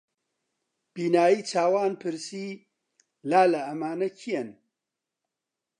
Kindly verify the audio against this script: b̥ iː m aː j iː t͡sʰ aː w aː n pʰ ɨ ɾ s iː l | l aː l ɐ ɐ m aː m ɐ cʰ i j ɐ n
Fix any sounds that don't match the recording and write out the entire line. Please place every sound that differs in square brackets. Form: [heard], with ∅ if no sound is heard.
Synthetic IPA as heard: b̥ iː [n] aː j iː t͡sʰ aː w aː n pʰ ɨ ɾ s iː [∅] | l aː l ɐ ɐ m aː [n] ɐ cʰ i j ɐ n